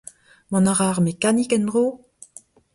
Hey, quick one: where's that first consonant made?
lips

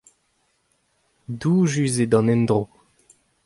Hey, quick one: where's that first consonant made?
tongue tip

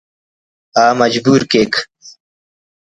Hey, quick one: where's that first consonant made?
lips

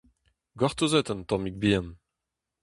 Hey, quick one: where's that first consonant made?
velum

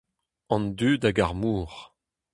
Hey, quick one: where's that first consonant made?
tongue tip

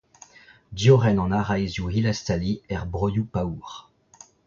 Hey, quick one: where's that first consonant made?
tongue tip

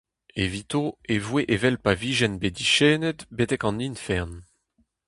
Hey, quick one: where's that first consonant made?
lips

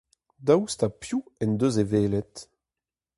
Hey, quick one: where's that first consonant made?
tongue tip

